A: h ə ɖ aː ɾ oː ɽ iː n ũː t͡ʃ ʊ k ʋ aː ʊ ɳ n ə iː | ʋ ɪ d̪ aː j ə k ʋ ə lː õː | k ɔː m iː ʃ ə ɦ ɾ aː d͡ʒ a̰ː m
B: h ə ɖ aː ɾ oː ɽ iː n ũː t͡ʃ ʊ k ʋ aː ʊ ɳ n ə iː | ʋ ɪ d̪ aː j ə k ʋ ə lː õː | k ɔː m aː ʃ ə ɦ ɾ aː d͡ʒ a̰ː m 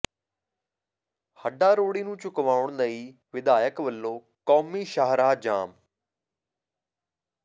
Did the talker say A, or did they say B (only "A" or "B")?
A